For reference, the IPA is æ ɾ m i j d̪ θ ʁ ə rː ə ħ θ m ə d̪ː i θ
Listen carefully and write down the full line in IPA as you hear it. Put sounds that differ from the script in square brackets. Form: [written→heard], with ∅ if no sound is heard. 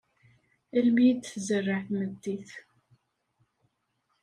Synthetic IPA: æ [ɾ→l] m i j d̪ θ [ʁ→z] ə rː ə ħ θ m ə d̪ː i θ